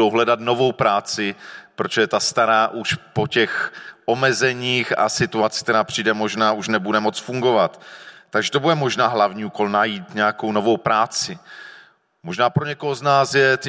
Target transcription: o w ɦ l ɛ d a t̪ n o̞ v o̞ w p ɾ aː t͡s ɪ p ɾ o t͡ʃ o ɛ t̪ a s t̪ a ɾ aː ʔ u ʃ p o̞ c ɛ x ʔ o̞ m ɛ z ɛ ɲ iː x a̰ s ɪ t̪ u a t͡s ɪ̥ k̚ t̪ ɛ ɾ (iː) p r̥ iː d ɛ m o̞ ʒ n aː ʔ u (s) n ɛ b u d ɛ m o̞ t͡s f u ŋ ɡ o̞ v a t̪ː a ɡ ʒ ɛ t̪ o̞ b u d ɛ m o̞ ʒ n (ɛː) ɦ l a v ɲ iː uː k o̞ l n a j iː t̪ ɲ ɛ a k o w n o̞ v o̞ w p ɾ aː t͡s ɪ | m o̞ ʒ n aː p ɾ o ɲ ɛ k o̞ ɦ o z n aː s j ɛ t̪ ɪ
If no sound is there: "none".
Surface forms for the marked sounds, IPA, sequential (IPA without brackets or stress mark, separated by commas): aː, ʃ, aː